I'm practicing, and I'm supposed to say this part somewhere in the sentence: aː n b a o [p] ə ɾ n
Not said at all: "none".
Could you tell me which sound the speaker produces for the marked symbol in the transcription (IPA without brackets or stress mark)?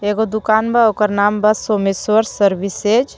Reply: k